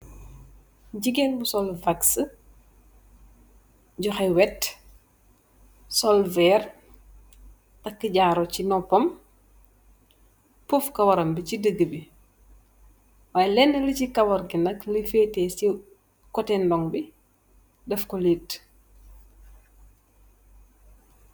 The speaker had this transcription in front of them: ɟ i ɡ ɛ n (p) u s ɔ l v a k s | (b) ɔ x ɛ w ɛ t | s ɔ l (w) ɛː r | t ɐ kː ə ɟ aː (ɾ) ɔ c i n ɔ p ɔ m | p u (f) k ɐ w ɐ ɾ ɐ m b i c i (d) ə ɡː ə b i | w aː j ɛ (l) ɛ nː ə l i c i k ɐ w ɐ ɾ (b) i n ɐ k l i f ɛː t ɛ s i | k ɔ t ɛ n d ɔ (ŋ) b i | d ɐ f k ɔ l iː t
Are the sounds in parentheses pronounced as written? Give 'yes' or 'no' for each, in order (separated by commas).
no, no, no, yes, yes, yes, yes, no, yes